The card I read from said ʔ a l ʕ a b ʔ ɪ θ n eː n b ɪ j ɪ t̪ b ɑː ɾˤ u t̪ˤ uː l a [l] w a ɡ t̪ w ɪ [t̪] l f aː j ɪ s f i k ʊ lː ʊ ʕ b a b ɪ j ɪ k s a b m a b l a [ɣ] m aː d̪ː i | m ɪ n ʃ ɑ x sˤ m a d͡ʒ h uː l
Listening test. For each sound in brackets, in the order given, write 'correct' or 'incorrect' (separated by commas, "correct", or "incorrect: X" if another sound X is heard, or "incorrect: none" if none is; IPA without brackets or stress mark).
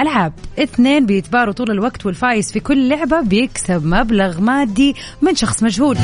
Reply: correct, incorrect: none, correct